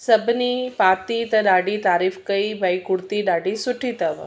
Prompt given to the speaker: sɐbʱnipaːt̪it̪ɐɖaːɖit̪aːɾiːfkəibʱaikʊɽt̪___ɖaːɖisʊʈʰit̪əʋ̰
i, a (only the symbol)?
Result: i